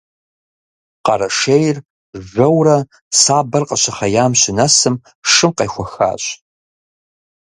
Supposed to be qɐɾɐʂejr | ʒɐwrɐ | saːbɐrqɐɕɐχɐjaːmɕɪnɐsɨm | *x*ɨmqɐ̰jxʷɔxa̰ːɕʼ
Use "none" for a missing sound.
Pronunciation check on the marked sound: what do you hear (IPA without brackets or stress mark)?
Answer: ʂ